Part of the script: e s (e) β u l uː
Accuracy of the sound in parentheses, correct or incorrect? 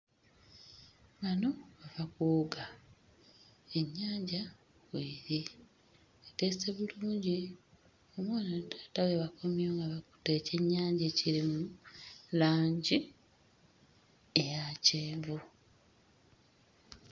correct